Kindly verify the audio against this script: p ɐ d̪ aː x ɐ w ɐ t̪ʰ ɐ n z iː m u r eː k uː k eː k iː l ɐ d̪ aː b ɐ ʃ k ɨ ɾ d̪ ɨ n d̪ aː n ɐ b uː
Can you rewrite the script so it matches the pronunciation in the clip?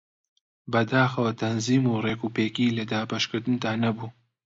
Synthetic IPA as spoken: b ɐ d̪ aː x ɐ w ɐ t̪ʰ ɐ n z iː m u r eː k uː p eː k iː l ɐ d̪ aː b ɐ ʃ k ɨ ɾ d̪ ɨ n d̪ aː n ɐ b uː